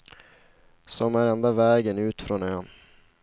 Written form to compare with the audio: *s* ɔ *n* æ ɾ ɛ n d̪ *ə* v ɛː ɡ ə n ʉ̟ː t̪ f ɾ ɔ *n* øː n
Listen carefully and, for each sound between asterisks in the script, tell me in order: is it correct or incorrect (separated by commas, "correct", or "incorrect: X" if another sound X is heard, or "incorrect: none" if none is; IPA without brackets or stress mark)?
correct, incorrect: m, incorrect: a, correct